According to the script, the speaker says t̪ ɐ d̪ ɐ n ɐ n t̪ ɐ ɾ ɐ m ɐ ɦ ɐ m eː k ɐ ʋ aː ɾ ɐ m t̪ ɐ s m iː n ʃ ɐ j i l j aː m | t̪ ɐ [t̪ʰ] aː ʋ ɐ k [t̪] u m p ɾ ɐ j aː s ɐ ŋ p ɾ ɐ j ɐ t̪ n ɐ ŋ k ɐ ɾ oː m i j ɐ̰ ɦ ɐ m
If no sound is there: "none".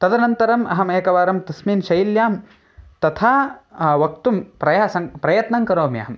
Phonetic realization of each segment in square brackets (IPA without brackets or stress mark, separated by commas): t̪ʰ, t̪